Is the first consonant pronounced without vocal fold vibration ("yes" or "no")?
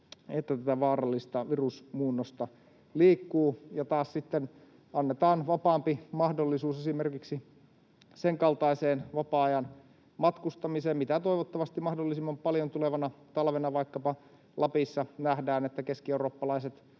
yes